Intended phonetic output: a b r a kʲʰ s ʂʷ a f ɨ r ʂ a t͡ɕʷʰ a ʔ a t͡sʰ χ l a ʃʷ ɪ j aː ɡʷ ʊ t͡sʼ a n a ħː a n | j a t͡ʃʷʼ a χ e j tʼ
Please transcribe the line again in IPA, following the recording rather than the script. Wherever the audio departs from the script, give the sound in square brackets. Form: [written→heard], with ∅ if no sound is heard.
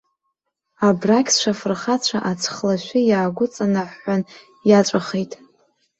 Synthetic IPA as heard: a b r a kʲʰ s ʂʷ a f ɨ r [ʂ→χ] a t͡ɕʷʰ a ʔ a t͡sʰ χ l a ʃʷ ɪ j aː ɡʷ ʊ t͡sʼ a n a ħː a n | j a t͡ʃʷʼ a χ e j tʼ